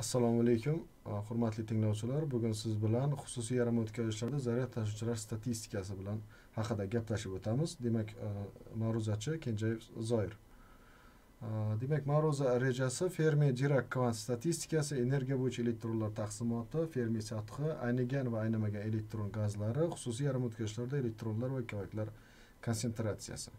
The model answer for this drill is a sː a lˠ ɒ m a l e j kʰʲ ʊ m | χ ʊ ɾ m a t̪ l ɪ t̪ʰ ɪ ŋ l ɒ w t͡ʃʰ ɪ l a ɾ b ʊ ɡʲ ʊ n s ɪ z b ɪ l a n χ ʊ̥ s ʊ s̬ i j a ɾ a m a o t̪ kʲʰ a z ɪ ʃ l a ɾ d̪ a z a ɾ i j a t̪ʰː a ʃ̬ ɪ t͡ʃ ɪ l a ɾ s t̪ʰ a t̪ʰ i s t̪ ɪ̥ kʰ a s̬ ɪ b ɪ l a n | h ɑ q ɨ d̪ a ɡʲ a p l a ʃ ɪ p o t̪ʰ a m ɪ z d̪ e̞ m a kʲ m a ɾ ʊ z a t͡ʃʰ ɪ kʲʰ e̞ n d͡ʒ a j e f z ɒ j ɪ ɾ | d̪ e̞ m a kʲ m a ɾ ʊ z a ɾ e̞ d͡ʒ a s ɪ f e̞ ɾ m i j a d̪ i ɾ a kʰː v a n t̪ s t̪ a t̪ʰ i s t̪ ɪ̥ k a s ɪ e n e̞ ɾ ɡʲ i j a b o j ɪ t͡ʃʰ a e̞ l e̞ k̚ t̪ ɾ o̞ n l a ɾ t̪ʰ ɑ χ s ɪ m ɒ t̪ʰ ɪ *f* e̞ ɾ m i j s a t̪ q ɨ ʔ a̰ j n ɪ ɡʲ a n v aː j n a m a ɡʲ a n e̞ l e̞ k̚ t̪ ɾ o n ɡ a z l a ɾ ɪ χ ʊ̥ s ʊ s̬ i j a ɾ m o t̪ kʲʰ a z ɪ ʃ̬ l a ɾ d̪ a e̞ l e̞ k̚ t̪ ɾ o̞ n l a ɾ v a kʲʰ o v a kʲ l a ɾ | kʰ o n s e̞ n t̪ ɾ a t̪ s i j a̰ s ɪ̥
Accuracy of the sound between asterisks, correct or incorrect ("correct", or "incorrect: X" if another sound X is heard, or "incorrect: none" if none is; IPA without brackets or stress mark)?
correct